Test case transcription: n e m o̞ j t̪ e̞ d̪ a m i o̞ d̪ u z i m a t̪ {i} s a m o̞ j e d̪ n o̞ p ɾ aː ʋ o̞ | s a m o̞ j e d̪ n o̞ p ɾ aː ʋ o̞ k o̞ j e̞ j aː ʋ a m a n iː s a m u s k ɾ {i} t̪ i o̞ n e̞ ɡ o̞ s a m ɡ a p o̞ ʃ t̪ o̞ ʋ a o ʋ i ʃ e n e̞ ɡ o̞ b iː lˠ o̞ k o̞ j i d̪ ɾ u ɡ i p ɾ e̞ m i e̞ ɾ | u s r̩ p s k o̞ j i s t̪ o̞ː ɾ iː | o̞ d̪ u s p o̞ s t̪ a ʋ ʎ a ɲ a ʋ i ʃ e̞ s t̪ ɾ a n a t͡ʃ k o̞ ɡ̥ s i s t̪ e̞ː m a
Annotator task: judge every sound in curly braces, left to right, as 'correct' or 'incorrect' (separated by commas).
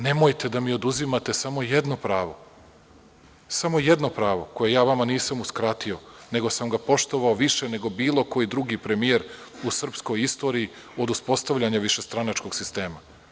incorrect, incorrect